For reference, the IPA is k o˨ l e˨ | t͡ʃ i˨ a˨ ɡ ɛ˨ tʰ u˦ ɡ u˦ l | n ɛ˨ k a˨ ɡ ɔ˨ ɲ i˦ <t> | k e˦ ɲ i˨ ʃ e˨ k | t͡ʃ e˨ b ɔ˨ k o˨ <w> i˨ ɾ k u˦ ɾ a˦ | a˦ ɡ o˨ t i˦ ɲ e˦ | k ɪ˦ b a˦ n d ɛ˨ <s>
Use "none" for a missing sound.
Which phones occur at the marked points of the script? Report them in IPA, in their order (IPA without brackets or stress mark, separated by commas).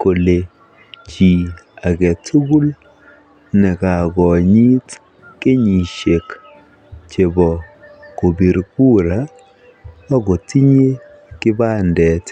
t, b, t